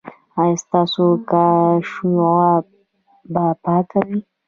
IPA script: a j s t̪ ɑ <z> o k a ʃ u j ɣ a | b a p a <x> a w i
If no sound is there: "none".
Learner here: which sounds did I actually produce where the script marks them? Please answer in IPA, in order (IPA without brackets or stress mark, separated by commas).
s, k